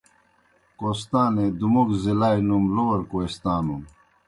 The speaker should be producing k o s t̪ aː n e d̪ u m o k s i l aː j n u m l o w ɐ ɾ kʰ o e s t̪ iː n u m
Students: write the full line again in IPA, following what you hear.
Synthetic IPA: k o s t̪ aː n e d̪ u m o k z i l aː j n u m l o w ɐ ɾ k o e s t̪ aː n u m